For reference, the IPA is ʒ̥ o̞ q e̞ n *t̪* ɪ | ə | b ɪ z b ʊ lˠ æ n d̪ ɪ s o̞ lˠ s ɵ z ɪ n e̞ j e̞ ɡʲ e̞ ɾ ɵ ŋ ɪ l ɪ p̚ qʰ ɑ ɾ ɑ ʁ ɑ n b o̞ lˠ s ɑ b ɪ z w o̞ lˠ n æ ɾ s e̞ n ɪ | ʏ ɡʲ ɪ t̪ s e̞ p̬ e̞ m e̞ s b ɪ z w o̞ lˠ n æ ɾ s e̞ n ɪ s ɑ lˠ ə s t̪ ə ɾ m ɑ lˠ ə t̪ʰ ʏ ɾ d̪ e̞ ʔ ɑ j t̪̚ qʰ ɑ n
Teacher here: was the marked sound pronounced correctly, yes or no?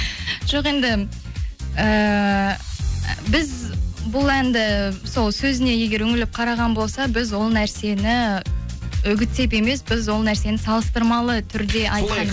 no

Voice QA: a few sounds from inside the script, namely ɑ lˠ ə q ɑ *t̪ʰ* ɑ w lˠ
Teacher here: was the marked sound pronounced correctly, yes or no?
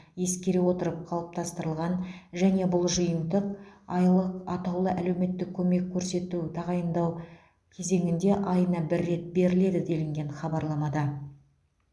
no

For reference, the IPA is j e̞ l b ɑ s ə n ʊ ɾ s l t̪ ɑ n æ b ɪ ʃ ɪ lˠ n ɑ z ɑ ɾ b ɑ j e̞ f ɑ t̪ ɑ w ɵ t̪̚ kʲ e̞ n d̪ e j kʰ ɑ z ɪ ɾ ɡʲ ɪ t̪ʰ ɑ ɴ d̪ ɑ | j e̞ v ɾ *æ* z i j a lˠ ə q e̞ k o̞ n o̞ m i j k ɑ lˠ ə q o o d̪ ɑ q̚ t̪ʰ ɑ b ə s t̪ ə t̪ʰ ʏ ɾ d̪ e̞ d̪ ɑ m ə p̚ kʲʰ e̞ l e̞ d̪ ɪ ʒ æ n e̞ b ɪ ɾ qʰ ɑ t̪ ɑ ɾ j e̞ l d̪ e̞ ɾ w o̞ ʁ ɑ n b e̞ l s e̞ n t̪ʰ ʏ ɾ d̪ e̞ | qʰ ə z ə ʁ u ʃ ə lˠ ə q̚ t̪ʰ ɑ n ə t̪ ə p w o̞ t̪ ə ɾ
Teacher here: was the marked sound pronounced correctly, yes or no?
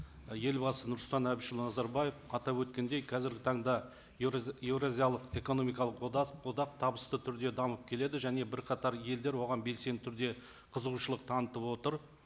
no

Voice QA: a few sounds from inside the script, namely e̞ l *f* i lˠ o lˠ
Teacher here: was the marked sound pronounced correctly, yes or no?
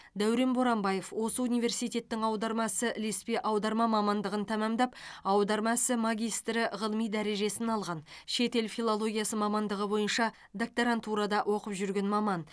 yes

